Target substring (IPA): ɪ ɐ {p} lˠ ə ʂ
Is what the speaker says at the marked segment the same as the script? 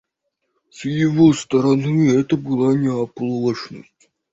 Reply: yes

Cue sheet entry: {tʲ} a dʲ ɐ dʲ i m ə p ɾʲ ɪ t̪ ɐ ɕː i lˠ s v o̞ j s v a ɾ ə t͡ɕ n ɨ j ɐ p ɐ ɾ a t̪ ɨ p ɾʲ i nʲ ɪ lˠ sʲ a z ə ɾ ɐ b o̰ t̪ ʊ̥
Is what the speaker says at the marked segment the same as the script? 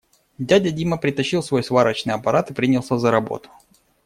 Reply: no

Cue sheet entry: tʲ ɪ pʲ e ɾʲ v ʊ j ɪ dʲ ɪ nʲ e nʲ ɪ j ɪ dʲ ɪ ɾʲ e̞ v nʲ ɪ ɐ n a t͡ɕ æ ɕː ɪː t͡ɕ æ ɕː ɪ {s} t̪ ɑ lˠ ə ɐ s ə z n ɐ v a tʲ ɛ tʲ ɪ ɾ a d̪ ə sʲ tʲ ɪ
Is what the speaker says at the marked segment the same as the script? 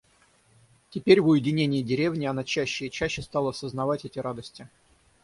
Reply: yes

